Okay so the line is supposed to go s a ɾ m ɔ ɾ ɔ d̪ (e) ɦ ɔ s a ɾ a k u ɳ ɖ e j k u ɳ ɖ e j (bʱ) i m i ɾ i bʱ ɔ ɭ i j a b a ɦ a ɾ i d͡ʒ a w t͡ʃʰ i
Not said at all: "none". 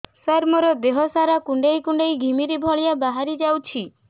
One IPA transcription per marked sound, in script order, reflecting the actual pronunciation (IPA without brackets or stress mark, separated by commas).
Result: e, ɡʱ